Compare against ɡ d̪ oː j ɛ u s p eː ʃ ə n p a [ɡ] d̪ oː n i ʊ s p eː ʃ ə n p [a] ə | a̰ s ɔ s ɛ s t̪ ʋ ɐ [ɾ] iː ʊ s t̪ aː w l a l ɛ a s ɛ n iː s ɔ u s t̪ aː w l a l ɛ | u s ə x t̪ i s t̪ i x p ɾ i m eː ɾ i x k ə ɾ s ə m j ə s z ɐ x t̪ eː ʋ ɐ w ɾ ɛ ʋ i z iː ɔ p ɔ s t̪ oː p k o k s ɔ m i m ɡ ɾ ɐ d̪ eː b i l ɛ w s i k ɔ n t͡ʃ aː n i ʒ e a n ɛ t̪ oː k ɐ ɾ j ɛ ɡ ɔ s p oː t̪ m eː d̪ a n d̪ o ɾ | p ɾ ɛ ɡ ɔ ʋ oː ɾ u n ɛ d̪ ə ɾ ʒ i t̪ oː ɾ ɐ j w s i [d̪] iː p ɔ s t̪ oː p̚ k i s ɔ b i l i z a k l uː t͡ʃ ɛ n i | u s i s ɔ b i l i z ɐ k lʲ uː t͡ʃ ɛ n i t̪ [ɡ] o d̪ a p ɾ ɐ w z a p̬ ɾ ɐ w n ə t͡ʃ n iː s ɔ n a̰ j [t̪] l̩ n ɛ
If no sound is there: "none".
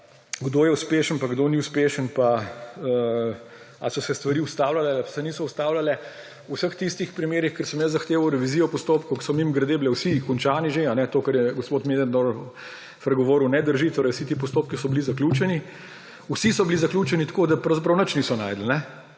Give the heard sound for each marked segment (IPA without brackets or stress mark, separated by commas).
ɡ, a, ɾ, t̪, k, d̪